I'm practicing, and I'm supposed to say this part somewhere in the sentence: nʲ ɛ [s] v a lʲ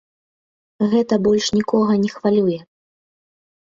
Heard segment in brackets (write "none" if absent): x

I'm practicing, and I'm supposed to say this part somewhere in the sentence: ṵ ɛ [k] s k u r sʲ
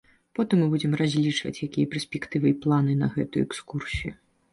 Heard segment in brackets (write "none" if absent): k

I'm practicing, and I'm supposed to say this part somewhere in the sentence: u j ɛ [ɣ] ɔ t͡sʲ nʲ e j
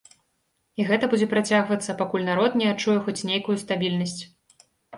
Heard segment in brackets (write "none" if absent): x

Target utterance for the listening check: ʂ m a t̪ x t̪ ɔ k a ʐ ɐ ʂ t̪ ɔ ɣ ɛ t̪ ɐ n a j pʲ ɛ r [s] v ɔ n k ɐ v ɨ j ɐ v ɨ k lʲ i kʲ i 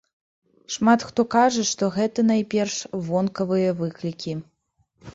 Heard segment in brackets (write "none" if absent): ʂ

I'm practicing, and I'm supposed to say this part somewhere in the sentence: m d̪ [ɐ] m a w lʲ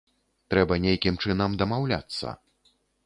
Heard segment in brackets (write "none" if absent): ɐ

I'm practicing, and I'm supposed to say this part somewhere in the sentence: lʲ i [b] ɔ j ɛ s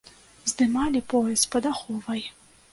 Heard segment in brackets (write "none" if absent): p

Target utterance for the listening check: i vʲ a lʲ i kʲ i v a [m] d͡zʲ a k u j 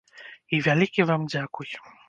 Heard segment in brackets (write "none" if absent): m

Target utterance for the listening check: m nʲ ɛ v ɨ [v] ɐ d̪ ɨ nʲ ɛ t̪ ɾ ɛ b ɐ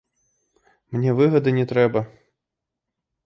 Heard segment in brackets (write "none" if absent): ɣ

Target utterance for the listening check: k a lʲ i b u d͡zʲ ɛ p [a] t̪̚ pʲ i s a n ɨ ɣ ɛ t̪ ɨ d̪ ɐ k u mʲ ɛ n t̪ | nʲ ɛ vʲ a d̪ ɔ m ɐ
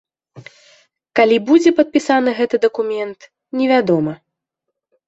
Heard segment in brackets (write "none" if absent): ɐ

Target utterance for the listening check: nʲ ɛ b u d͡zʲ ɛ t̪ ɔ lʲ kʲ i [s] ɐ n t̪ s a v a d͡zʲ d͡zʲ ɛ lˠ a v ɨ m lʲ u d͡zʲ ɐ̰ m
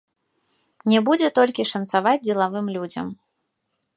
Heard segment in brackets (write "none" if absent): ʂ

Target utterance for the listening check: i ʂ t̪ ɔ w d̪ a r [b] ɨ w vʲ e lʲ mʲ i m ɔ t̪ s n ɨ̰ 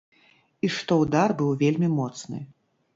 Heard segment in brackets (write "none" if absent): b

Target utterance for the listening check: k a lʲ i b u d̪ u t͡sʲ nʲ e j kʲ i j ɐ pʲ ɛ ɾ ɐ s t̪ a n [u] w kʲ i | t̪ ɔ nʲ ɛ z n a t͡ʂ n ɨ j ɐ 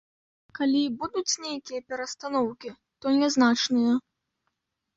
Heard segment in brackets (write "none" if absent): ɔ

